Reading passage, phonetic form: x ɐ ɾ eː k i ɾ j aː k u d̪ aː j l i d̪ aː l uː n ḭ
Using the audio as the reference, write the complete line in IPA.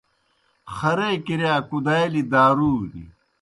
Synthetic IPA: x ɐ ɾ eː k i ɾ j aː k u d̪ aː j l i d̪ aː ɾ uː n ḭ